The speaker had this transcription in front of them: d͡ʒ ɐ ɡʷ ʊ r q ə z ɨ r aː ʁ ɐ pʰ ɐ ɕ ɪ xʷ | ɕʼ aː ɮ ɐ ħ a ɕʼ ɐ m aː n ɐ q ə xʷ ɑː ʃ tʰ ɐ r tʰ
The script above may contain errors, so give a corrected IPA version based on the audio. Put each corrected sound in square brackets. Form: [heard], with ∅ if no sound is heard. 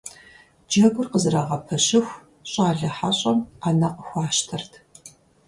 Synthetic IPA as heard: d͡ʒ ɐ ɡʷ ʊ r q ə z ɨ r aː ʁ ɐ pʰ ɐ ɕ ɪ xʷ | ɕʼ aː ɮ ɐ ħ a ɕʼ ɐ m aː n ɐ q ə xʷ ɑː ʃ tʰ ɐ r tʰ